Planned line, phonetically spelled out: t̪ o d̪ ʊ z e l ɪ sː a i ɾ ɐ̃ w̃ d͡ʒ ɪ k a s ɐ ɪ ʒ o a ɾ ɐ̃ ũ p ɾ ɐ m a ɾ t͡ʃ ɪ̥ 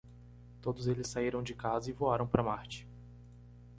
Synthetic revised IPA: t̪ o d̪ ʊ z e l ɪ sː a i ɾ ɐ̃ w̃ d͡ʒ ɪ k a z ɐ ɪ v o a ɾ ɐ̃ w̃ p ɾ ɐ m a ɾ t͡ʃ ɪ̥